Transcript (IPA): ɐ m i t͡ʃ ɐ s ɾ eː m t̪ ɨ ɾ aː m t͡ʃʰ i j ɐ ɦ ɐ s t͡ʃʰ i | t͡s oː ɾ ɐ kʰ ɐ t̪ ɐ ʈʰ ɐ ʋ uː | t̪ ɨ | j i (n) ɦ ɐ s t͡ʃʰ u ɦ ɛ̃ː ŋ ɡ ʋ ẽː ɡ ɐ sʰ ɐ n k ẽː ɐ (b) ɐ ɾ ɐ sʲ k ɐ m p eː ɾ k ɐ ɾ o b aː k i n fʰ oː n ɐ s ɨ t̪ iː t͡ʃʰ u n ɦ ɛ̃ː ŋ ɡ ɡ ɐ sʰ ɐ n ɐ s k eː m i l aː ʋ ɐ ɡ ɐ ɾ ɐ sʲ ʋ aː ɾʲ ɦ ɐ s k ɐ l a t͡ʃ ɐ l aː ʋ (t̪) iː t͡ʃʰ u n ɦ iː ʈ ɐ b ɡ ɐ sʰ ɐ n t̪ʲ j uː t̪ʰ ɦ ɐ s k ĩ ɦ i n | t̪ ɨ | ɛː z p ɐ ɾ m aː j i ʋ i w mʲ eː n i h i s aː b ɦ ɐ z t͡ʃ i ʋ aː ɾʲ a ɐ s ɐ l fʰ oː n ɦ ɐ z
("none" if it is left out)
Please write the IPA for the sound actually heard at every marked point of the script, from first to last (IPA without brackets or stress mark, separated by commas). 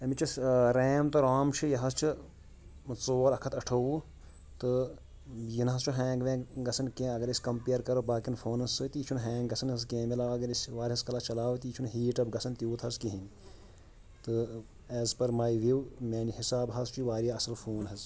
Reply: n, ɡ, t̪